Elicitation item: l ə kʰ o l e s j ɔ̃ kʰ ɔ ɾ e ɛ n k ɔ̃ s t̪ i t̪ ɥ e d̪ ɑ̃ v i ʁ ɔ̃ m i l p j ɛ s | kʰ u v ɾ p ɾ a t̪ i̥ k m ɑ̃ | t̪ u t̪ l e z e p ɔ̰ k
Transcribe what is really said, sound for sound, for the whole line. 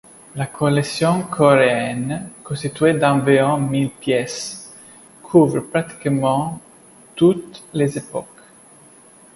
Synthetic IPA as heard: l a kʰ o l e s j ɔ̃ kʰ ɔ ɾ e ɛ n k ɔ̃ s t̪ i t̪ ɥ e d̪ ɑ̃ v i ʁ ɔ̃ m i l p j ɛ s | kʰ u v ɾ p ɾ a t̪ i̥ k m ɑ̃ | t̪ u t̪ l e z e p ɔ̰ k